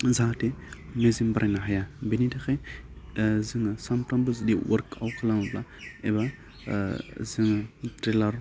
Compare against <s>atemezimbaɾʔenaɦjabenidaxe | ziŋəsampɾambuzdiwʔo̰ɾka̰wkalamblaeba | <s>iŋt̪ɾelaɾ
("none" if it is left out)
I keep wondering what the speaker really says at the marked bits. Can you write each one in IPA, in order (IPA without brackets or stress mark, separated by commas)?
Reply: z, z